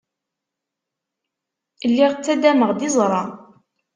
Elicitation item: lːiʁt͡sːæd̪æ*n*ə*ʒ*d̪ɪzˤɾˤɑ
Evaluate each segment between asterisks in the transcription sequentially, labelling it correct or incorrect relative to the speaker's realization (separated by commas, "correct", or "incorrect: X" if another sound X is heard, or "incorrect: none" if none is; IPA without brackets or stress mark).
incorrect: m, incorrect: ʁ